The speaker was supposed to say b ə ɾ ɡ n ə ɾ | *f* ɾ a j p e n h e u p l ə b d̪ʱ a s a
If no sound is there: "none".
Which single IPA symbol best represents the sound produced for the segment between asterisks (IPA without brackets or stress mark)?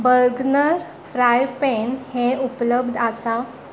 f